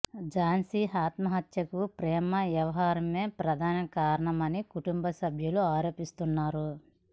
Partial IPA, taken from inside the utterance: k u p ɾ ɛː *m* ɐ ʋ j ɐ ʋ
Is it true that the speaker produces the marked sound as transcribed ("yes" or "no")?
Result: yes